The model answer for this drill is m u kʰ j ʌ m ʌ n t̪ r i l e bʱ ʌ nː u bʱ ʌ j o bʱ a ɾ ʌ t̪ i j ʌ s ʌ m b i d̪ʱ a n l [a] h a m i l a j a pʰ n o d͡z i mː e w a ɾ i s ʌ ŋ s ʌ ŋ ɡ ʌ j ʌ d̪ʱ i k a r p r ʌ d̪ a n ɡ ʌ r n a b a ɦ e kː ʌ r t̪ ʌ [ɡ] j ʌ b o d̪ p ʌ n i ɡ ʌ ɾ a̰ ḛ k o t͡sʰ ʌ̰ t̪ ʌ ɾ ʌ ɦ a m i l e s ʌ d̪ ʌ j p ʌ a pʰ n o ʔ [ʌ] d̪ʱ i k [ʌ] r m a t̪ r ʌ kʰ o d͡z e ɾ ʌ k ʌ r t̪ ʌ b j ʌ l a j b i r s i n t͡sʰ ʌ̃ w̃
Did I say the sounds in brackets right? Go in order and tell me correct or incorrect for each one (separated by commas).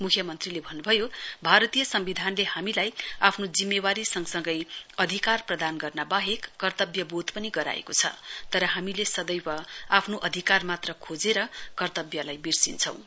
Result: incorrect, incorrect, correct, incorrect